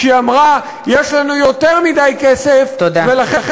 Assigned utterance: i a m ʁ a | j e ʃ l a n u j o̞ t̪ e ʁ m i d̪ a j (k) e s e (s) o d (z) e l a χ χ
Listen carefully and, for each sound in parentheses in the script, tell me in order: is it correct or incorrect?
correct, incorrect: f, incorrect: v

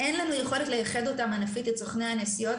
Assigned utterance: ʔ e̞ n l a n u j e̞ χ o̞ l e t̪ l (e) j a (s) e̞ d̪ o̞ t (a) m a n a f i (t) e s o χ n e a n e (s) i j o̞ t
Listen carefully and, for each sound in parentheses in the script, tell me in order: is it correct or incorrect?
correct, incorrect: χ, correct, correct, correct

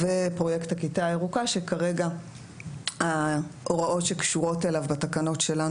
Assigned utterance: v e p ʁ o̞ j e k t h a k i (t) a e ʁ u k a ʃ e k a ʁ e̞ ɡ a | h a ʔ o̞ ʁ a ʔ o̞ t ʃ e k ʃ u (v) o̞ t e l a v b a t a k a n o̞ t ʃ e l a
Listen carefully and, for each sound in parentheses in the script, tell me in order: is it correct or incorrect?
correct, incorrect: ʁ

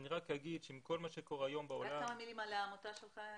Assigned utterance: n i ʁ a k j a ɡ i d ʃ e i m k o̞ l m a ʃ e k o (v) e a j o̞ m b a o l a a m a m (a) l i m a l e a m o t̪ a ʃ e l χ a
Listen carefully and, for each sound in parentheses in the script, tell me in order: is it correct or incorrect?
incorrect: ʁ, incorrect: i

